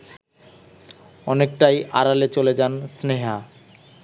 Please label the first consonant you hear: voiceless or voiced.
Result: voiced